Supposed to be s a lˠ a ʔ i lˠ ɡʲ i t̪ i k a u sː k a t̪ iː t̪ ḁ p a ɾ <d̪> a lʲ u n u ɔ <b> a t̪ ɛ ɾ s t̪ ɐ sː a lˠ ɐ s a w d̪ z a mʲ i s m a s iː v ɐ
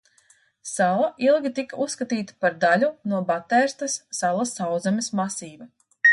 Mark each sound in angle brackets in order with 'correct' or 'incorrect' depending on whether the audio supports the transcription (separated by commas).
correct, correct